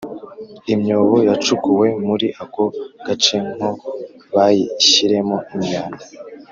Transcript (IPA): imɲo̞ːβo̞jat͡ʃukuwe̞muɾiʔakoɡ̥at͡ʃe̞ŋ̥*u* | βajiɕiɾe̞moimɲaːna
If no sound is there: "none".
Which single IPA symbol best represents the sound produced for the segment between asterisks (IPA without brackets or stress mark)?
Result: o